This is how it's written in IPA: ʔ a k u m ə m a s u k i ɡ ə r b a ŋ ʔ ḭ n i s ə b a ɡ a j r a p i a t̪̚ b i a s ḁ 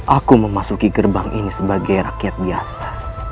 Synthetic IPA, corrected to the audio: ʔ a k u m ə m a s u k i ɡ ə r b a ŋ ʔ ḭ n i s ə b a ɡ a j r a k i a t̪̚ b i a s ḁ